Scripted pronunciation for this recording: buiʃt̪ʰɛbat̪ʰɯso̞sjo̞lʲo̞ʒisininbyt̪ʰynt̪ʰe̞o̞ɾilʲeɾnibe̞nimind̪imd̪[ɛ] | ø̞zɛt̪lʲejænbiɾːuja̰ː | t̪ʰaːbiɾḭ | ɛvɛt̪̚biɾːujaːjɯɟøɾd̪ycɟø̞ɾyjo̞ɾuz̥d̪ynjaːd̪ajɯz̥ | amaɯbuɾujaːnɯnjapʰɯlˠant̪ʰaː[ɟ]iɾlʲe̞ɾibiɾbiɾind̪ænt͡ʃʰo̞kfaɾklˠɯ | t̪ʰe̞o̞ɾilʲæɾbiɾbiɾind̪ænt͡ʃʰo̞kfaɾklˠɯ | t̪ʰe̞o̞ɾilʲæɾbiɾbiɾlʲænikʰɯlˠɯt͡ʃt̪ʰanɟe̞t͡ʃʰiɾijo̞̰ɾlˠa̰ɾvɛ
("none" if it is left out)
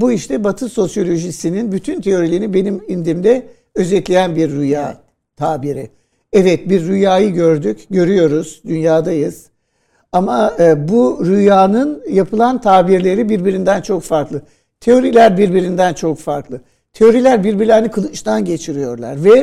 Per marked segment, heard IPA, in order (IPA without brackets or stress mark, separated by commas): ɛ, b